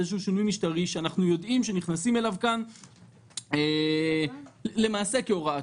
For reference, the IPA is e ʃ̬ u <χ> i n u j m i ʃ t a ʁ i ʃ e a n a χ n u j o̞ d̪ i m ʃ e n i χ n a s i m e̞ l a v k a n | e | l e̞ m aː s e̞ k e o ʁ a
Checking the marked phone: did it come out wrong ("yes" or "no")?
yes